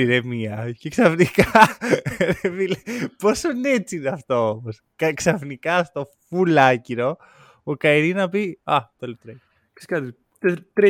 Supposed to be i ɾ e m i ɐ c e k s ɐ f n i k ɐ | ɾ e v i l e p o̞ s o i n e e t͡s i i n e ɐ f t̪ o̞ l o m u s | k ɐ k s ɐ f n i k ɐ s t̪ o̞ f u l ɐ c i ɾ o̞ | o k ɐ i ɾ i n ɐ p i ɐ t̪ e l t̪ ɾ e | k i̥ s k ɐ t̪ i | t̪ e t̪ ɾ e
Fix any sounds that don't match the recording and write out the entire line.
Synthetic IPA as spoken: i ɾ e m i ɐ c e k s ɐ f n i k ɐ | ɾ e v i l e p o̞ s o i n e e t͡s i i n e ɐ f t̪ o̞ o m o s | k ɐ k s ɐ f n i k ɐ s t̪ o̞ f u l ɐ c i ɾ o̞ | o k ɐ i ɾ i n ɐ p i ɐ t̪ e l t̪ ɾ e | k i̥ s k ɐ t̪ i | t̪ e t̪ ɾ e